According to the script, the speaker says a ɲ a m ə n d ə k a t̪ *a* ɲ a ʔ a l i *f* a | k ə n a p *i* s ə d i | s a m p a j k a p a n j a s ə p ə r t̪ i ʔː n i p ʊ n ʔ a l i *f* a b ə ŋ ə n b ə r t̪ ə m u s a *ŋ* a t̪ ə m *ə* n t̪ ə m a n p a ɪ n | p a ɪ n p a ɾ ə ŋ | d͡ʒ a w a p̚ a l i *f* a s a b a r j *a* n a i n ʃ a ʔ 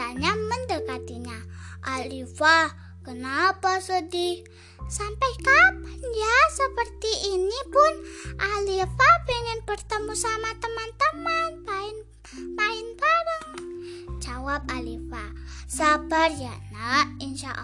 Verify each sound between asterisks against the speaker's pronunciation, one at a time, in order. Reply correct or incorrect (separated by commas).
incorrect, correct, incorrect, correct, incorrect, incorrect, correct, correct